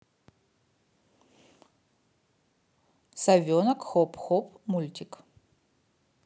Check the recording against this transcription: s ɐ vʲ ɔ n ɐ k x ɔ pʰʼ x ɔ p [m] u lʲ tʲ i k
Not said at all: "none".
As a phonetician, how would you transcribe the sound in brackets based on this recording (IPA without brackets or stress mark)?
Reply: m